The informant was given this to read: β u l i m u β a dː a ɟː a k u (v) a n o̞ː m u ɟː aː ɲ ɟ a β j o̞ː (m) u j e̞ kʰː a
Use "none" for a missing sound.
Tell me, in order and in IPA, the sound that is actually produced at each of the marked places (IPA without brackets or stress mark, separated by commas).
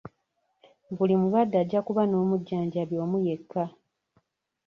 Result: β, m